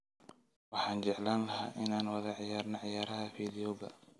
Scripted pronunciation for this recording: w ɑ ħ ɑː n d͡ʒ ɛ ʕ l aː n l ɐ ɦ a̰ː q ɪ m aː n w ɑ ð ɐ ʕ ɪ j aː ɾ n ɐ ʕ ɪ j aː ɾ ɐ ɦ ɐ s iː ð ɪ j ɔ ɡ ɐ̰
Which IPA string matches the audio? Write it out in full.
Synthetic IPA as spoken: w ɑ ħ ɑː n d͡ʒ ɛ ʕ l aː n l ɐ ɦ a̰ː ʔ ɪ n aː n w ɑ ð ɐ ʕ ɪ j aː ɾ n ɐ ʕ ɪ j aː ɾ ɐ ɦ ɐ f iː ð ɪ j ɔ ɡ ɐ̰

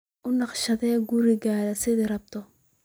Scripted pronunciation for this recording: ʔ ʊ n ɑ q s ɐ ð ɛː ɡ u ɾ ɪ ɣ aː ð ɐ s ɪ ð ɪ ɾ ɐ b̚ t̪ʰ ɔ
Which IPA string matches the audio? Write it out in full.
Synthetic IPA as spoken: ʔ ʊ n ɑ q ʃ ɐ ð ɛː ɡ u ɾ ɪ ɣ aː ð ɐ s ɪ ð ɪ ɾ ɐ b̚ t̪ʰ ɔ

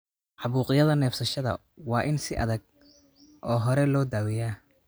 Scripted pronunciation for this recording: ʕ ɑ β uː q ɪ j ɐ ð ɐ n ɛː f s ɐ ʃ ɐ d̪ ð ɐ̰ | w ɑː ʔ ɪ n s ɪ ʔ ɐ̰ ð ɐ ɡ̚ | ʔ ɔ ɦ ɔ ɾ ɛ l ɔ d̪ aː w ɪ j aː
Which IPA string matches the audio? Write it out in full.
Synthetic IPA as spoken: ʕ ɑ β uː q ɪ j ɐ ð ɐ n ɛː f s ɐ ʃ ɐ ð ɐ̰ | w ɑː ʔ ɪ n s ɪ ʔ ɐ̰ ð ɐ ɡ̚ | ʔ ɔː ɦ ɔ ɾ ɛ l ɔː d̪ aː w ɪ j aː

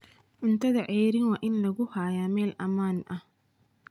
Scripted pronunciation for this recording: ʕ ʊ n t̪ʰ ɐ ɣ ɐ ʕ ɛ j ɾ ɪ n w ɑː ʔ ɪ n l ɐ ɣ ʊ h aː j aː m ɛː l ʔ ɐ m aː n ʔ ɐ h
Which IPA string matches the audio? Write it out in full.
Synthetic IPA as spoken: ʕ ʊ n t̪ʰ ɐ ð ɐ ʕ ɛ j ɾ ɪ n w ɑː ʔ ɪ n l ɐ ɣ ʊ h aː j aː m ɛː l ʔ ɐ m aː n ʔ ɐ h

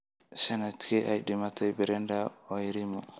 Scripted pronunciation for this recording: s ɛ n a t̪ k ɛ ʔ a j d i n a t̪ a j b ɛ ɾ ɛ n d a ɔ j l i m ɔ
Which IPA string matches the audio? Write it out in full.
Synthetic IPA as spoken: s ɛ n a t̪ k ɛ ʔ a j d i m a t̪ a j b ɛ ɾ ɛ n d a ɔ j ɾ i m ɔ

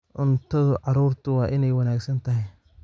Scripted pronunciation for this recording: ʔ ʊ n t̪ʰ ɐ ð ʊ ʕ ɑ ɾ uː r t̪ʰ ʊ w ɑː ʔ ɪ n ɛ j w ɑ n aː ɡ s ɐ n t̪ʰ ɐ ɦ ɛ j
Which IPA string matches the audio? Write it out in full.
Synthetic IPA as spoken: ʔ ʊ n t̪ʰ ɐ ð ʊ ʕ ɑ ɾ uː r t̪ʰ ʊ w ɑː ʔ ɪ n ɛ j w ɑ n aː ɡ s ɐ n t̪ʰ ɐ ɦ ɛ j

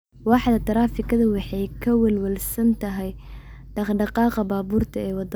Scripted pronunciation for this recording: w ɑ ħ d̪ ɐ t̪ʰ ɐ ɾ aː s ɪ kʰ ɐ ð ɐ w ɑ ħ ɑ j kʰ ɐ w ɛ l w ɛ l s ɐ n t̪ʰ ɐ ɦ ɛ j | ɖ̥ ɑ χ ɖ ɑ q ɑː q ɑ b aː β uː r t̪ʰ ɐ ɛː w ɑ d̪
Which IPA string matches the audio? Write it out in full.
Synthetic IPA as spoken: w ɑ ħ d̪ ɐ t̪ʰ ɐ ɾ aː f ɪ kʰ ɐ ð ɐ w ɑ ħ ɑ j kʰ ɐ w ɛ l w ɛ l s ɐ n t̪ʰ ɐ ɦ ɛ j | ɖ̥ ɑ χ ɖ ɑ q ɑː q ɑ b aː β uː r t̪ʰ ɐ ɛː w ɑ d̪

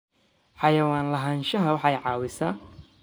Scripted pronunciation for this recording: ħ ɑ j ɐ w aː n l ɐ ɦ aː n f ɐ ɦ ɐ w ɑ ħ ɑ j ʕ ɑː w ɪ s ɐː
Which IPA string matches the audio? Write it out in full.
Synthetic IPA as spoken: ħ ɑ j ɐ w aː n l ɐ ɦ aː n ʃ ɐ ɦ ɐ w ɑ ħ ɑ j ʕ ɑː w ɪ s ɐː

